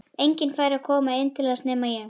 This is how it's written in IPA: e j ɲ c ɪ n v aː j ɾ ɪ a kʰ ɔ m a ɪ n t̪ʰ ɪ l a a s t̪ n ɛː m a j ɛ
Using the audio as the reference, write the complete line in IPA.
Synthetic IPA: e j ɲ c ɪ n f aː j ɾ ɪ a kʰ ɔː m a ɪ n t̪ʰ ɪ l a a s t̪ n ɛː m a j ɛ